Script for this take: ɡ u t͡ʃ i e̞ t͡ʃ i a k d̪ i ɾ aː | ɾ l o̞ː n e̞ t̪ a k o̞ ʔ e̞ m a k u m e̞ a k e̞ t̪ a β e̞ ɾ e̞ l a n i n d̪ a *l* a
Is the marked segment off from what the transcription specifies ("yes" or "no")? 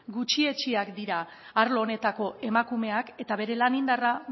yes